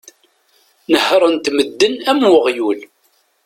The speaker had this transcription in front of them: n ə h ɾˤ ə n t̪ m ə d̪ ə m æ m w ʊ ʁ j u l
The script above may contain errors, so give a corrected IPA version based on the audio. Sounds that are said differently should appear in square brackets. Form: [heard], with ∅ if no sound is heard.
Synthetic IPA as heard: n ə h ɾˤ ə n t̪ m ə [d̪ː] ə [n] æ m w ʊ ʁ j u l